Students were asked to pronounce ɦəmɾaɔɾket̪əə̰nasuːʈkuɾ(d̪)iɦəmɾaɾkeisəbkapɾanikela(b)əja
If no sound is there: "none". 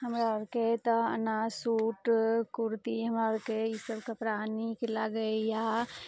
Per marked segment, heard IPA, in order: t̪, ɡ

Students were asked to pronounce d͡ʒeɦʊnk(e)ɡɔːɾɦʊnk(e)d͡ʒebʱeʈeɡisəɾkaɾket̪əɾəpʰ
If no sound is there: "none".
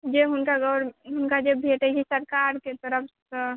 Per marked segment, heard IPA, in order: a, a

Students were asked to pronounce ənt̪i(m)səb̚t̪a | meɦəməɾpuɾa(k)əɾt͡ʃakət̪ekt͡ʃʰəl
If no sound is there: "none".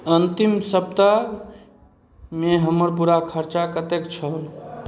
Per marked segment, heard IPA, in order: m, kʰ

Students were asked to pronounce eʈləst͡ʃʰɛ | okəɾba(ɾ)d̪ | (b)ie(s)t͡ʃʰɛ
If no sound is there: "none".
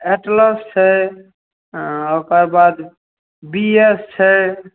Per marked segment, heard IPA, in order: none, b, s

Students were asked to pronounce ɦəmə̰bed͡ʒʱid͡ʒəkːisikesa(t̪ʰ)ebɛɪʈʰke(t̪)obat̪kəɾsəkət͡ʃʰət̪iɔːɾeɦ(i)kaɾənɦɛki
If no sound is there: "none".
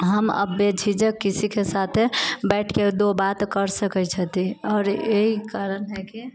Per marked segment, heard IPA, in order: t̪ʰ, d̪, i

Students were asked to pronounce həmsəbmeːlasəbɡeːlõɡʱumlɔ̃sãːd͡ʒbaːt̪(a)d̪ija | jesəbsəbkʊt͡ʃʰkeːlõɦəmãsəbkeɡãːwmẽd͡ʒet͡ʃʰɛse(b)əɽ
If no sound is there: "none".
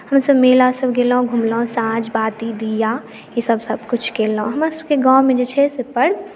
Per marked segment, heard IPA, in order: i, p

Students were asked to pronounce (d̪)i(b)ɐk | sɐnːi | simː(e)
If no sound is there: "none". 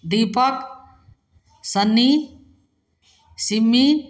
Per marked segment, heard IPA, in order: d̪, p, i

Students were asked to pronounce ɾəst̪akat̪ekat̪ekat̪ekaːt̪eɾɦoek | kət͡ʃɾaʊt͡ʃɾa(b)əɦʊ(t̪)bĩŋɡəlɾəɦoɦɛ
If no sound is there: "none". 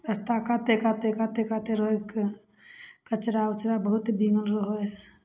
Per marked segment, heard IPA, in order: b, t̪

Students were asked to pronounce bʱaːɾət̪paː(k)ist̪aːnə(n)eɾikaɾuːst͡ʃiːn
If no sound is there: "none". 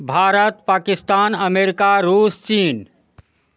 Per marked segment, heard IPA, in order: k, m

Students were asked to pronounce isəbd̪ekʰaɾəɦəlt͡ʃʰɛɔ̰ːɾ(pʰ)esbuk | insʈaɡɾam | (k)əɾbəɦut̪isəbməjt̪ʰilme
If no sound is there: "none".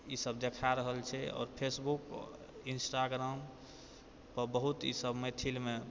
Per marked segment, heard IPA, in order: pʰ, p

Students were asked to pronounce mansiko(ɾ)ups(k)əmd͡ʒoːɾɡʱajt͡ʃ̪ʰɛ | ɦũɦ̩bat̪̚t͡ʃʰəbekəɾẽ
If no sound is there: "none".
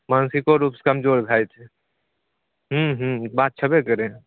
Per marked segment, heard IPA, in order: ɾ, k

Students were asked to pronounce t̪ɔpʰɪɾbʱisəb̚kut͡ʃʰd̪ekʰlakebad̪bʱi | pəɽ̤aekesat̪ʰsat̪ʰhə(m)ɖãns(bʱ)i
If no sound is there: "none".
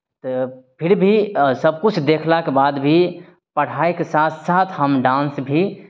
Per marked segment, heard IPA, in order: m, bʱ

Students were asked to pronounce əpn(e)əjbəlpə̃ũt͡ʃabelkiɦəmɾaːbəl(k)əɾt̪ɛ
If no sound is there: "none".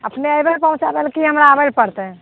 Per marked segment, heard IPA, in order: e, p

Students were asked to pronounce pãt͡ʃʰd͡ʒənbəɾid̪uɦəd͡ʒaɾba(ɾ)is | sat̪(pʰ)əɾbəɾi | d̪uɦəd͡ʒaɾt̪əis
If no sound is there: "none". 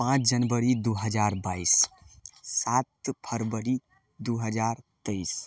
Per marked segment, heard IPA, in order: none, pʰ

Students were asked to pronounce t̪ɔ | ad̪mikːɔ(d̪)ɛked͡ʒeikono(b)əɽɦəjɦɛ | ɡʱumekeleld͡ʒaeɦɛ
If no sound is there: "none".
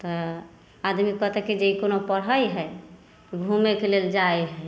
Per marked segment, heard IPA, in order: t̪, p

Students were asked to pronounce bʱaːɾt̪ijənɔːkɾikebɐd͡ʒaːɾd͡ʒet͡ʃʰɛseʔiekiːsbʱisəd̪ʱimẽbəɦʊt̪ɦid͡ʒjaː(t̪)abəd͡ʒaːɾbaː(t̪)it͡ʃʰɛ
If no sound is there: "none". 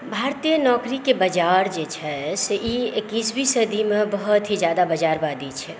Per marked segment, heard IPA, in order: d̪, d̪

